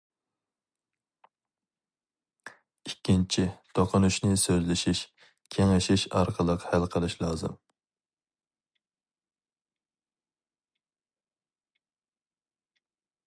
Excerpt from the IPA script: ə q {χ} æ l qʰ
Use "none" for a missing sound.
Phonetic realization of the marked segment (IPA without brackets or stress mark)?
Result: h